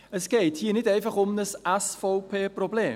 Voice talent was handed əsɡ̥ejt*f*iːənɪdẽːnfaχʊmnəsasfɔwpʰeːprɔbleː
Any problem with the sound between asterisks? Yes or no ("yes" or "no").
yes